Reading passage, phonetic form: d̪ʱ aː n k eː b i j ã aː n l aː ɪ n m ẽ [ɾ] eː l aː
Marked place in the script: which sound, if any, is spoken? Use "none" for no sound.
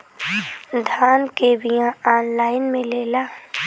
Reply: l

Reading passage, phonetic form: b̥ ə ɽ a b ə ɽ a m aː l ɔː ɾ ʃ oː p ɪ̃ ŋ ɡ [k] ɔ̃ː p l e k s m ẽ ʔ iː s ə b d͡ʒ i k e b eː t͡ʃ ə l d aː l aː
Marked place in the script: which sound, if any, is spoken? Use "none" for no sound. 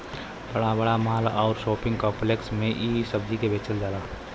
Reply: k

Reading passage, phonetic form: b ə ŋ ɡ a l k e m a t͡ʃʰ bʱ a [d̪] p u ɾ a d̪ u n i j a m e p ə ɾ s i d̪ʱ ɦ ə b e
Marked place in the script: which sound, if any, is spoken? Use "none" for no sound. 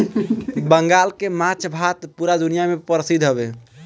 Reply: t̪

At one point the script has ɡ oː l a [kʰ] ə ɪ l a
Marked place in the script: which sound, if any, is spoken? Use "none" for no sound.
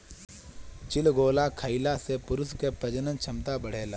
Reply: kʰ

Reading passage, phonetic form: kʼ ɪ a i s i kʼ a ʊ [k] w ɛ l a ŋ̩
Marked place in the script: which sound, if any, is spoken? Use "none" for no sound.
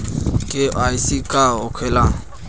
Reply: kʰ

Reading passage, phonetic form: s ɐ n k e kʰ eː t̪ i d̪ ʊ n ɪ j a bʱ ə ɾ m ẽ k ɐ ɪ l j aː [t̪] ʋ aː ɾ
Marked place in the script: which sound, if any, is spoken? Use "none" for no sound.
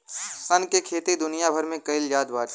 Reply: d̪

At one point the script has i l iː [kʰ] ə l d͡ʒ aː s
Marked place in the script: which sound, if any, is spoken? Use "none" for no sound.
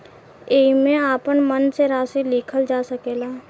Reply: kʰ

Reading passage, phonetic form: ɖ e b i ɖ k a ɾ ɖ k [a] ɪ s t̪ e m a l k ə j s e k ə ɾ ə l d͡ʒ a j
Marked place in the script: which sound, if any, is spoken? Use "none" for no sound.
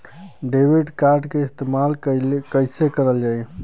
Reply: e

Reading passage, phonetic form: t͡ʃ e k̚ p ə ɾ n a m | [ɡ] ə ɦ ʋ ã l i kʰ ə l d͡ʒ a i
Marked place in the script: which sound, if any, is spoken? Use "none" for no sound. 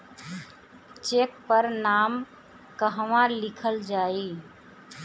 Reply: k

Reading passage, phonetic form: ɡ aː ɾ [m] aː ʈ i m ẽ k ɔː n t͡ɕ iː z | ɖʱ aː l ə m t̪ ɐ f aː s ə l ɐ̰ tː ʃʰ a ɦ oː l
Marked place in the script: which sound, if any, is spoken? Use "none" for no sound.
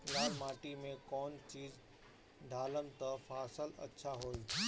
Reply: m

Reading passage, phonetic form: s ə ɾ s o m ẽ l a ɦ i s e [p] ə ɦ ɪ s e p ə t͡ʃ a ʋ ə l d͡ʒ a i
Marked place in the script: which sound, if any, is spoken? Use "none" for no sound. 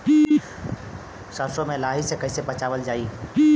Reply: k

